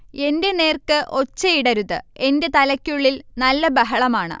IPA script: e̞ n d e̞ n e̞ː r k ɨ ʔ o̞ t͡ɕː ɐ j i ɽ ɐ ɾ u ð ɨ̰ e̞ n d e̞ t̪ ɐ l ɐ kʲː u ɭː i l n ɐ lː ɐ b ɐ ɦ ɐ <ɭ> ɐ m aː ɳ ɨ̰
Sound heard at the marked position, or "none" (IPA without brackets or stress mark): ɭ